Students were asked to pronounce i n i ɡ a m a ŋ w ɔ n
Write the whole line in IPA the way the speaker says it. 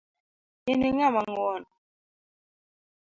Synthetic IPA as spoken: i n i ŋ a m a ŋ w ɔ n